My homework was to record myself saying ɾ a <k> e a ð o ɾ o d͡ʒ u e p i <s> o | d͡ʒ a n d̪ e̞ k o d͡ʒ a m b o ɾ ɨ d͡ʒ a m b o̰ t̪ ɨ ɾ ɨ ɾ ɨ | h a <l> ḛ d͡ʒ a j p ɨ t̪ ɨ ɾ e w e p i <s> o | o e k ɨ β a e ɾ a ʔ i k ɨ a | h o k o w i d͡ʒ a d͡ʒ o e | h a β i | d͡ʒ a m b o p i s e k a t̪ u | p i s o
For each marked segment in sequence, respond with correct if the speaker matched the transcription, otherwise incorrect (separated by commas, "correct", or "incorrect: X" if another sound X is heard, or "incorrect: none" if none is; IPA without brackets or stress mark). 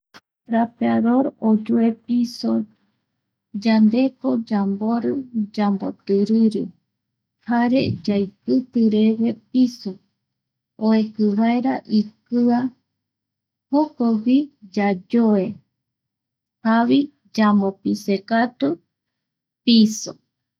incorrect: p, correct, incorrect: ɾ, correct